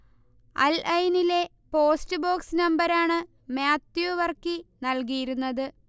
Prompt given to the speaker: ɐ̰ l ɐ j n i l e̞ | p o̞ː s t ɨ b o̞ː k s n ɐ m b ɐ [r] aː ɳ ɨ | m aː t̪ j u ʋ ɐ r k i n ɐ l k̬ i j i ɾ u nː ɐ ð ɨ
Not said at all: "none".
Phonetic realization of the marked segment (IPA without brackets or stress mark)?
ɾ